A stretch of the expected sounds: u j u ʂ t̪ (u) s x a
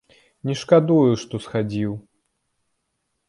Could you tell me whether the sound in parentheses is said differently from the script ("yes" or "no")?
yes